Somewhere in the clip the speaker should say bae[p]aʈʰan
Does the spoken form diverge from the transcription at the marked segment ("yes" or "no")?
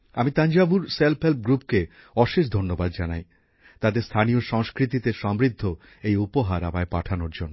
no